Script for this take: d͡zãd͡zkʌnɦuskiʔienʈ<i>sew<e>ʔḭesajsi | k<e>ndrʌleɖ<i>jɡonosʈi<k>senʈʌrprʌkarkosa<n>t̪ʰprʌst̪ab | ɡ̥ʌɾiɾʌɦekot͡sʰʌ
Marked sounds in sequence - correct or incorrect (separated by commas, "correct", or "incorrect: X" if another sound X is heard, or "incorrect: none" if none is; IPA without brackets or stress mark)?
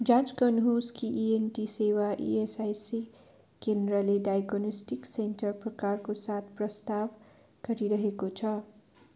correct, incorrect: a, correct, incorrect: a, correct, incorrect: none